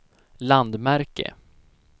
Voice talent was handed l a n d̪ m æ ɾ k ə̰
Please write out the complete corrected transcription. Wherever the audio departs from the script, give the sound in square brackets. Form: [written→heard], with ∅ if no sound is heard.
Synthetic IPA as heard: l a n d̪ m æ ɾ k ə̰